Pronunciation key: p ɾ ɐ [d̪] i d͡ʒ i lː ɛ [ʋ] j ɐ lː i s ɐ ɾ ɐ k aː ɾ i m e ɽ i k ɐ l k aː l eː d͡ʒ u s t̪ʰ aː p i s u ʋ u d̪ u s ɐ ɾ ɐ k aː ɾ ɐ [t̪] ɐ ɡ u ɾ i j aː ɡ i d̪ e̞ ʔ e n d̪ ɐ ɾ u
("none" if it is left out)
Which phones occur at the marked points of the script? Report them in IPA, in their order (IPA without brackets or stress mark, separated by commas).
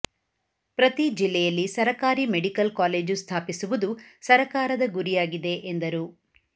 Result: t̪, none, d̪